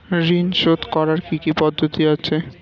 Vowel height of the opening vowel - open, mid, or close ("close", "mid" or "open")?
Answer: close